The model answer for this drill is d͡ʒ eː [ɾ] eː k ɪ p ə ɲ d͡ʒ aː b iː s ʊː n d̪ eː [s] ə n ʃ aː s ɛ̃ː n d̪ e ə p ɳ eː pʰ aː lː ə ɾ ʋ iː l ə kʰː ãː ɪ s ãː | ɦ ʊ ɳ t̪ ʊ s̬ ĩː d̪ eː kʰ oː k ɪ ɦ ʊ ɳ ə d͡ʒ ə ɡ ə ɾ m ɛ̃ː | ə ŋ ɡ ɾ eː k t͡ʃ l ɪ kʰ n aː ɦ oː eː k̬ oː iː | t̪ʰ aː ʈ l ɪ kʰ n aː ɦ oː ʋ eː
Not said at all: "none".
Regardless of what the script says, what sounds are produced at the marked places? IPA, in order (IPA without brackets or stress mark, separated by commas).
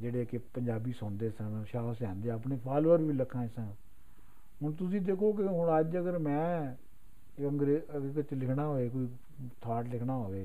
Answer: ɽ, s